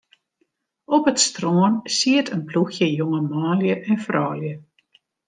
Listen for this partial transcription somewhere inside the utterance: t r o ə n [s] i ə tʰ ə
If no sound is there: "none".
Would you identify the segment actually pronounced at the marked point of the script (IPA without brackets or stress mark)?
s